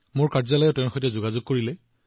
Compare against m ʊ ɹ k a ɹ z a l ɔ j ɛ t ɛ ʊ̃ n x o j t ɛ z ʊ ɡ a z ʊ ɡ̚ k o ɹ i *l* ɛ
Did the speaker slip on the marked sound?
no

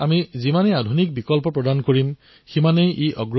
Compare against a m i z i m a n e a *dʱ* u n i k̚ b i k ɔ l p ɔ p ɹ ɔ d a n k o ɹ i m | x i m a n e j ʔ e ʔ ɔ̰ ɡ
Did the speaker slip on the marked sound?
no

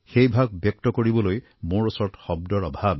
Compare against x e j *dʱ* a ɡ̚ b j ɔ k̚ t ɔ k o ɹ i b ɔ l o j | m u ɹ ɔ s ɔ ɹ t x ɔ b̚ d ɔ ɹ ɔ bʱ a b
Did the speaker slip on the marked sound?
yes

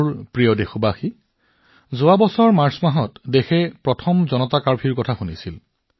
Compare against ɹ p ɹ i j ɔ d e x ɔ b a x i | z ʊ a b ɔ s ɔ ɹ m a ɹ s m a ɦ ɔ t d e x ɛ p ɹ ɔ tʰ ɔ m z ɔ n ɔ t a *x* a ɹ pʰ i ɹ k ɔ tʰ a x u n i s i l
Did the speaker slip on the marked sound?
yes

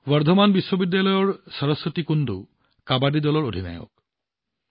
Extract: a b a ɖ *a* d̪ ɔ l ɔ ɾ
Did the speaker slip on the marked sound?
yes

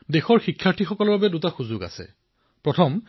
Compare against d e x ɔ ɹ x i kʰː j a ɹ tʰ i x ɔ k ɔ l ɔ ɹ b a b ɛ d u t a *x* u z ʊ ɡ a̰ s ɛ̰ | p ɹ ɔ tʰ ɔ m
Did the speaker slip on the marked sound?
no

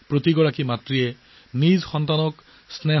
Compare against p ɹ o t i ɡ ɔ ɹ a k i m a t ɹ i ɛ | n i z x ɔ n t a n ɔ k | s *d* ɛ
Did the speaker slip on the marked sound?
yes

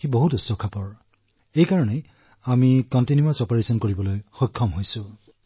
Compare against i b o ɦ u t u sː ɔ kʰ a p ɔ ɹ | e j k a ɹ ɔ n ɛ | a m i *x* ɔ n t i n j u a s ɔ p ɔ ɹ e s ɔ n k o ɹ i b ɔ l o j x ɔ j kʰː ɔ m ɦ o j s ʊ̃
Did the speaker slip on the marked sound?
yes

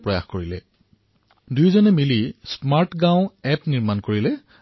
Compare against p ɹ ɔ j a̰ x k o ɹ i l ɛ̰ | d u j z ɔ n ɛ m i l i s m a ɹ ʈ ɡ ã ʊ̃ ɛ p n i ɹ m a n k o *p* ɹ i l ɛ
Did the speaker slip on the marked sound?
yes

